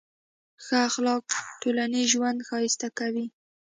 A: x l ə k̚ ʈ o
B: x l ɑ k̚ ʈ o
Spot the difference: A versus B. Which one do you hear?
B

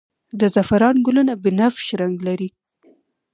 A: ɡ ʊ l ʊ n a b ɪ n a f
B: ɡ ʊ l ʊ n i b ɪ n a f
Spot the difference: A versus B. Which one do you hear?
A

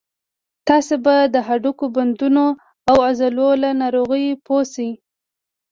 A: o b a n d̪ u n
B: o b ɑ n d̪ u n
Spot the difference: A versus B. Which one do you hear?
A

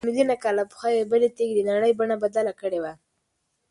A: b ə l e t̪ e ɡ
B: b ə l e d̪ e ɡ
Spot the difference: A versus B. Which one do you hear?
A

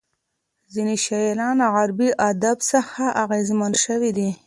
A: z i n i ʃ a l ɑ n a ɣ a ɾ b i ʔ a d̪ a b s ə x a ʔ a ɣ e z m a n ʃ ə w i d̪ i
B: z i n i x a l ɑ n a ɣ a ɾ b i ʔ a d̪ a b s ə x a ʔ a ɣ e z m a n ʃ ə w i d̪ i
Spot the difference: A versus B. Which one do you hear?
A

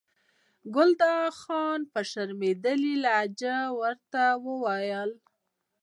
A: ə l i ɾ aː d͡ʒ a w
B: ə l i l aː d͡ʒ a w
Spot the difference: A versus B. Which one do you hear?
B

